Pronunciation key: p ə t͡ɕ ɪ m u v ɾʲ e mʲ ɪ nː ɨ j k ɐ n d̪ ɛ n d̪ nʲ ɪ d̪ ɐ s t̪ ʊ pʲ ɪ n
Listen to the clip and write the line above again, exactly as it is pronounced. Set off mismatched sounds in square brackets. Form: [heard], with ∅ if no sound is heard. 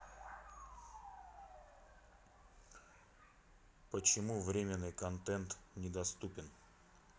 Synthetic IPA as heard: p ə t͡ɕ ɪ m u v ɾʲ e mʲ ɪ nː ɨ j k ɐ n [t̪] ɛ n [t̪] nʲ ɪ d̪ ɐ s t̪ [u] pʲ ɪ n